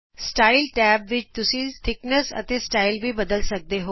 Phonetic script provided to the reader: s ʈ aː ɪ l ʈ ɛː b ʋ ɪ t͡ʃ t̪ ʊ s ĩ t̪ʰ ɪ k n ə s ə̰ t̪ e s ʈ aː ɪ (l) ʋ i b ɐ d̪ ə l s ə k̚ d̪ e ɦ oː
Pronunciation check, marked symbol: correct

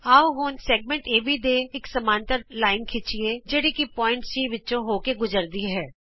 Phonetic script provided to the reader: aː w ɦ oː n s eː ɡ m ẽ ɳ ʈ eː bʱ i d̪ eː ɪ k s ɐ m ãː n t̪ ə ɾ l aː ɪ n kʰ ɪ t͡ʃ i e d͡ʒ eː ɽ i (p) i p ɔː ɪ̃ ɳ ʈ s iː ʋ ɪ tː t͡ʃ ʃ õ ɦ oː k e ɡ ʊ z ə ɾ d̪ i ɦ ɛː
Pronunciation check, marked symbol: incorrect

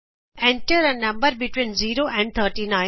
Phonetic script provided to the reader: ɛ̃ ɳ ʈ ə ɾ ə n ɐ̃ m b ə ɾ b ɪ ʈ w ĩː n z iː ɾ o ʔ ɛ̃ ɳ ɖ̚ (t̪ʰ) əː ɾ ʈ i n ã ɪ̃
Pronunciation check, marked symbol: correct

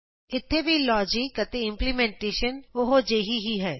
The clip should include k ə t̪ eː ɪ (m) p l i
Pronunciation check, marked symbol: correct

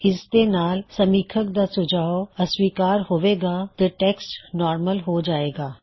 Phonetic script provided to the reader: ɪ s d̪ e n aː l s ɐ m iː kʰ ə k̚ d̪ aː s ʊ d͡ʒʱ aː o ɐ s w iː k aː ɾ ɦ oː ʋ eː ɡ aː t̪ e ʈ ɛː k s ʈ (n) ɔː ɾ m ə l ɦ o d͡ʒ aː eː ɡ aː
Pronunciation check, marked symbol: correct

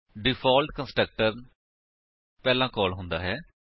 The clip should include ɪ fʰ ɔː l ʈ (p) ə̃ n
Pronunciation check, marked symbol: incorrect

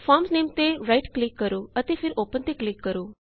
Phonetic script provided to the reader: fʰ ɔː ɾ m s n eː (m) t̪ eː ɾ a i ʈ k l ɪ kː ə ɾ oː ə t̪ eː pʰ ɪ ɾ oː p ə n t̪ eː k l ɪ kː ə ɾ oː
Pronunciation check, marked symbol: correct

